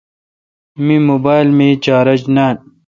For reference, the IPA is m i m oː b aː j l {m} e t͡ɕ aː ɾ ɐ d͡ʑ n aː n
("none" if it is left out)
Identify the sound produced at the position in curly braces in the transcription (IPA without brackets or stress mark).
m